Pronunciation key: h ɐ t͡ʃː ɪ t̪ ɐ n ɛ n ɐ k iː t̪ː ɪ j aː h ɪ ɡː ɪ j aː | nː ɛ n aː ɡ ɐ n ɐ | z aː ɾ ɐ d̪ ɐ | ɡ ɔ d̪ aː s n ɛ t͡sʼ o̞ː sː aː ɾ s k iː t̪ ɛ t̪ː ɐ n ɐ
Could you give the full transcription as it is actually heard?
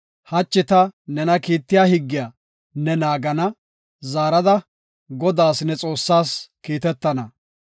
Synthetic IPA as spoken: h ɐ t͡ʃː ɪ t̪ ɐ n ɛ n ɐ k iː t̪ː ɪ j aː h ɪ ɡː ɪ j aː | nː ɛ n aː ɡ ɐ n ɐ | z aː ɾ ɐ d̪ ɐ | ɡ ɔ d̪ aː s n ɛ t͡sʼ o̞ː sː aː s k iː t̪ ɛ t̪ː ɐ n ɐ